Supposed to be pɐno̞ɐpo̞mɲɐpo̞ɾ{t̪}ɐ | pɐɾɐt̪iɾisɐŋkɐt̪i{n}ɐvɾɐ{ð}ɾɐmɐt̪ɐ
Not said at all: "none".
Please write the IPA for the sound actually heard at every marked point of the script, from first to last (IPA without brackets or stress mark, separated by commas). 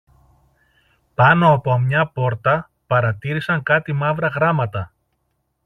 t̪, m, ɣ